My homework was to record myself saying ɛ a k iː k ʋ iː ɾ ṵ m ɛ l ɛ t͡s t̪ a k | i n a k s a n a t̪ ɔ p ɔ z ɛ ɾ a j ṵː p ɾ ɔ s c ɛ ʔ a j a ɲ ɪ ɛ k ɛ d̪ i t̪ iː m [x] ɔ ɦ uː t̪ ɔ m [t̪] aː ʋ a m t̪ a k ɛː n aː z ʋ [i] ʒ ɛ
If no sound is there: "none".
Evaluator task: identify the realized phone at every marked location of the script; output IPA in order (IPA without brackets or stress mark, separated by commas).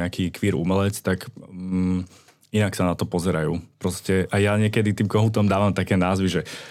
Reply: k, d̪, i